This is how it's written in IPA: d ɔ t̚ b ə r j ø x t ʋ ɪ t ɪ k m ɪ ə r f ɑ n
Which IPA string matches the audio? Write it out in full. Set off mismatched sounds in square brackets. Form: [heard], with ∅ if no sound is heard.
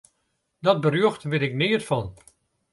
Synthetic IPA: d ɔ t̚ b ə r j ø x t ʋ ɪ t ɪ k [n] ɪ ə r f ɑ n

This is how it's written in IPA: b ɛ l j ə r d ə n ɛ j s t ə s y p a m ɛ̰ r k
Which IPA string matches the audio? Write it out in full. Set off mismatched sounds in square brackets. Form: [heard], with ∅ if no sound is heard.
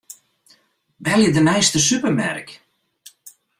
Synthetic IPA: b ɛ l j ə [∅] d ə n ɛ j s t ə s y p [ə] m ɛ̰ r k

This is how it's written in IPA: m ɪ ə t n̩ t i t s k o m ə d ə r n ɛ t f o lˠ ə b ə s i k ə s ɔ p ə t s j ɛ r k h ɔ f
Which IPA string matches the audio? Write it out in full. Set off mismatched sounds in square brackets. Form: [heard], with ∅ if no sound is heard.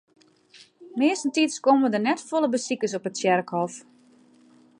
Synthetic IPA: m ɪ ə [s] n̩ t i t s k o m ə d ə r n ɛ t f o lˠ ə b ə s i k ə s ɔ p ə t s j ɛ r k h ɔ f

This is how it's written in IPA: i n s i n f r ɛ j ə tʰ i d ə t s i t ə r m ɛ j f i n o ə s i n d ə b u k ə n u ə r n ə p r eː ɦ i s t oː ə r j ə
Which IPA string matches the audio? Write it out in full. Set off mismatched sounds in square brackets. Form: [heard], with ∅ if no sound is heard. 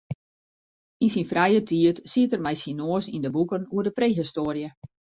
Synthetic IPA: i n s i n f r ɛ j ə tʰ i [∅] ə t s i t ə r m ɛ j [s] i n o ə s i n d ə b u k ə n u ə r [d] ə p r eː ɦ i s t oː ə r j ə

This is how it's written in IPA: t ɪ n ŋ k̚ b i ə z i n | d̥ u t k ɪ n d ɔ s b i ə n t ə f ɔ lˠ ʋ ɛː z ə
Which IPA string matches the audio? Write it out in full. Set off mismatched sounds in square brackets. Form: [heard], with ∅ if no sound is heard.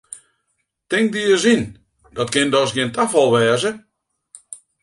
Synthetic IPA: t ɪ [∅] ŋ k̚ [d] i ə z i n | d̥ [ɔ] t k ɪ n d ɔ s [ɡ] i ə n t [a] f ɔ lˠ ʋ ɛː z ə

